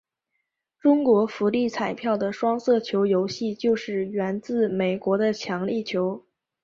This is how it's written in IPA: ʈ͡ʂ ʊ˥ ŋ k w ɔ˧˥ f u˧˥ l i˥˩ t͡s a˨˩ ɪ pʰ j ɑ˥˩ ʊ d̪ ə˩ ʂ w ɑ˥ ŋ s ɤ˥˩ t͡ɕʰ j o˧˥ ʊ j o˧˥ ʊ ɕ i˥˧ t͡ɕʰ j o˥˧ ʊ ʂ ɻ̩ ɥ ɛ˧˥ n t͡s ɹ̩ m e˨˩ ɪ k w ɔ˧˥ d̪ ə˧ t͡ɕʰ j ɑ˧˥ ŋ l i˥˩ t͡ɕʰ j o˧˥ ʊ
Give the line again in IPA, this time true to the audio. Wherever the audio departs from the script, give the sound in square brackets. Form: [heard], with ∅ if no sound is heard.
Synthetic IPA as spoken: ʈ͡ʂ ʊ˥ ŋ k w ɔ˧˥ f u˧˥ l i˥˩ [t͡sʰ] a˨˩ ɪ pʰ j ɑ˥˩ ʊ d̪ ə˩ ʂ w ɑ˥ ŋ s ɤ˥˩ t͡ɕʰ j o˧˥ ʊ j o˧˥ ʊ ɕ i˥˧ [t͡ɕ] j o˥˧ ʊ ʂ ɻ̩ ɥ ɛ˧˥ n t͡s ɹ̩ m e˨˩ ɪ k w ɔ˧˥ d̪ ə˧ t͡ɕʰ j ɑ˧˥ ŋ l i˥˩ t͡ɕʰ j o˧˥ ʊ